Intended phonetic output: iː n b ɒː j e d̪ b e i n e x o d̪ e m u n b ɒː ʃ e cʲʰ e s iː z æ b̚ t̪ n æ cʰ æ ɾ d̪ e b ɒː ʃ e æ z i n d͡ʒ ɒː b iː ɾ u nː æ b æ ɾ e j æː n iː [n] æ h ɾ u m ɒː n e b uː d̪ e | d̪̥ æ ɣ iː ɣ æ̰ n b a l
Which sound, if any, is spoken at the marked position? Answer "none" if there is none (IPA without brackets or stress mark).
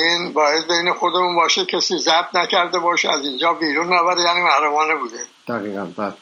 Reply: m